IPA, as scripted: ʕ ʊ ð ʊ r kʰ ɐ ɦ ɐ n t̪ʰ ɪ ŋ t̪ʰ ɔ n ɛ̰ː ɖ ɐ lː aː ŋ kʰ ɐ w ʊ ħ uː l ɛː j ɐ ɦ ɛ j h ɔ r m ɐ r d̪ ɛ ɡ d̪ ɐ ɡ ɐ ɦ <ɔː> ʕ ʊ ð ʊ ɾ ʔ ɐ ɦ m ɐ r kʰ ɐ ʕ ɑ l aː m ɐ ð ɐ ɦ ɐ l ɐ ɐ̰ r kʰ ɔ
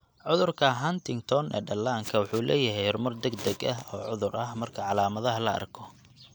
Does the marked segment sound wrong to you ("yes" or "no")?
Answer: no